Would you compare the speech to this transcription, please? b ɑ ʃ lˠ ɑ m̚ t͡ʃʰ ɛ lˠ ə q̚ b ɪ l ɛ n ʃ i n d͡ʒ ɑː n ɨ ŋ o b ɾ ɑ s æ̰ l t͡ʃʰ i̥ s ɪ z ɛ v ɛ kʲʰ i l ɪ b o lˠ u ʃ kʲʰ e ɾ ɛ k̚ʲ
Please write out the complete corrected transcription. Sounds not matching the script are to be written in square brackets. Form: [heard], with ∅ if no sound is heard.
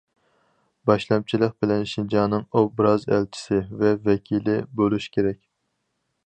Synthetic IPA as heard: b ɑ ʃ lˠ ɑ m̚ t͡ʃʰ [i] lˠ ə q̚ b ɪ l ɛ n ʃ i n d͡ʒ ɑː n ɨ ŋ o b ɾ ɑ [z] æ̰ l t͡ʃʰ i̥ s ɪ [v] ɛ v ɛ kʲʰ i l ɪ b o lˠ u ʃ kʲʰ e ɾ ɛ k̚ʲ